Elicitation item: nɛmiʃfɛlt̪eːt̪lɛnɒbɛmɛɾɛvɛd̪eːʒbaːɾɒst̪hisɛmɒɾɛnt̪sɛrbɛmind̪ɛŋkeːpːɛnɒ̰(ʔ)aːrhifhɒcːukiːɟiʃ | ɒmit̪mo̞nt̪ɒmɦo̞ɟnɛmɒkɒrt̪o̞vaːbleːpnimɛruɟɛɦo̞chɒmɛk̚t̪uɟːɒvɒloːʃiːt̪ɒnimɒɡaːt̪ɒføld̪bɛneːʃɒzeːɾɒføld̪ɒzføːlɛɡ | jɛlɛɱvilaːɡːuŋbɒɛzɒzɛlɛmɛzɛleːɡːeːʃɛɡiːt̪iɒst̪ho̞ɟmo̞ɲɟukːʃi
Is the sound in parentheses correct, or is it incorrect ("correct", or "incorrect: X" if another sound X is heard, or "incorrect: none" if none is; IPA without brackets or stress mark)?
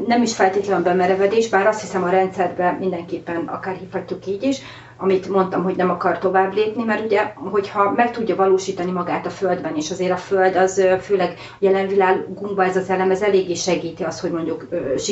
incorrect: k